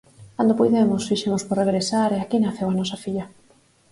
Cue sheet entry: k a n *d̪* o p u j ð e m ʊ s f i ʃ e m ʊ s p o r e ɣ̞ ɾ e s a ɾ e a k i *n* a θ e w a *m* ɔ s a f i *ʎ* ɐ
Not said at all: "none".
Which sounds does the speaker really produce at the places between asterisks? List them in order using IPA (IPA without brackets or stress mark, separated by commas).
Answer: d̪, n, n, ʎ